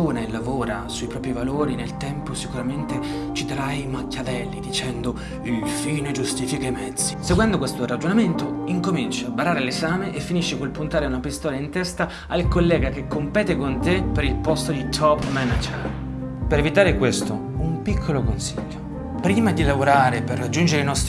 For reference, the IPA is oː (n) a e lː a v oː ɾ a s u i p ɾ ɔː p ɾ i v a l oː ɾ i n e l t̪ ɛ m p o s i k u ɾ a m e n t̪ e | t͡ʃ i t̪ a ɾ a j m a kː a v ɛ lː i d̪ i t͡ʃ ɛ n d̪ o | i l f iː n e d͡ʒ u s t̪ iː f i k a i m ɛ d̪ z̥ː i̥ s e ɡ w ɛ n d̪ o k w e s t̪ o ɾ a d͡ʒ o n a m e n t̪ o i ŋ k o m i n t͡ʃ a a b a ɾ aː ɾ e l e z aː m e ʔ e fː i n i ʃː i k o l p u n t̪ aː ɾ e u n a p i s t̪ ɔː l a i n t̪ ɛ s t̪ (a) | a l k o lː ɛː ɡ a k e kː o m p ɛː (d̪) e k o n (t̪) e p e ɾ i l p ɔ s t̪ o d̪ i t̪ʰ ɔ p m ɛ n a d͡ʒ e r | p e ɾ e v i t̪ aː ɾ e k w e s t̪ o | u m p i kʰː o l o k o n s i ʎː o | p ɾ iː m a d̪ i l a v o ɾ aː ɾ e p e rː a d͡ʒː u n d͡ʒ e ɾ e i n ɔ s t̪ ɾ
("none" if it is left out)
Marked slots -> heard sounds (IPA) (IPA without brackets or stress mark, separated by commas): n, a, t̪, t̪